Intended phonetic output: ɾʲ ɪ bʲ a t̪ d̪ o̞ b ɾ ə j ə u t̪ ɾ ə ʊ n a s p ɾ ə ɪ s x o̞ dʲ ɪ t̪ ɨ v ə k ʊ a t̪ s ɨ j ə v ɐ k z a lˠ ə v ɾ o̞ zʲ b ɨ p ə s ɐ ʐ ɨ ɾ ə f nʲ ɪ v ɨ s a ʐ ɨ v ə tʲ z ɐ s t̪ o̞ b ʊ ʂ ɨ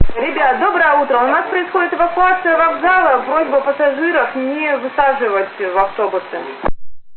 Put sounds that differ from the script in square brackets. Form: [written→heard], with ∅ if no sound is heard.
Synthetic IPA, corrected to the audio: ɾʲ ɪ bʲ a t̪ d̪ o̞ b ɾ ə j ə u t̪ ɾ ə ʊ n a s p ɾ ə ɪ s x o̞ dʲ ɪ t̪ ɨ v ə k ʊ a t̪ s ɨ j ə v ɐ [k→ɡ] z a lˠ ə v ɾ o̞ zʲ b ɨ p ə s ɐ ʐ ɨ ɾ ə f nʲ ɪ v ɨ s a ʐ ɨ v ə tʲ [z→v] ɐ [s→f] t̪ o̞ b ʊ [ʂ→s] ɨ